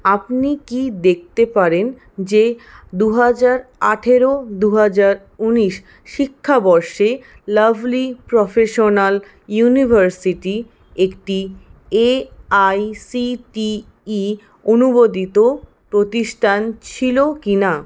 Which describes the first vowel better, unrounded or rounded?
unrounded